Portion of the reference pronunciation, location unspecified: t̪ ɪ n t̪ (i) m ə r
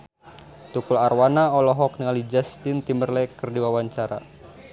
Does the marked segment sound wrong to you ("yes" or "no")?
no